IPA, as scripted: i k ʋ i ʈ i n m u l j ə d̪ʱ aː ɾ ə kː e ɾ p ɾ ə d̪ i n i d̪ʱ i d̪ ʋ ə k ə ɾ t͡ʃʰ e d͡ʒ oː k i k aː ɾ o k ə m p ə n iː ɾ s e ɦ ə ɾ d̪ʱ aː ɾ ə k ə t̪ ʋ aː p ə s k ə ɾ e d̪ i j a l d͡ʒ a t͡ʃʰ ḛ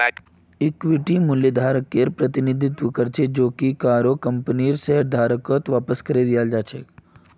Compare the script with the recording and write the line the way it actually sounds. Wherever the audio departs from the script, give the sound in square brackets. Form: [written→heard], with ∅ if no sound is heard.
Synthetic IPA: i k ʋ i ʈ i [n→∅] m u l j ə d̪ʱ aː ɾ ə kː e ɾ p ɾ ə [d̪→t̪] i n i d̪ʱ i [d̪→t̪] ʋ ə k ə ɾ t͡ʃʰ e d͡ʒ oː k i k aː ɾ o k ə m p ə n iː ɾ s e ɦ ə ɾ d̪ʱ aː ɾ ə k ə t̪ ʋ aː p ə s k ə ɾ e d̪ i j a l d͡ʒ a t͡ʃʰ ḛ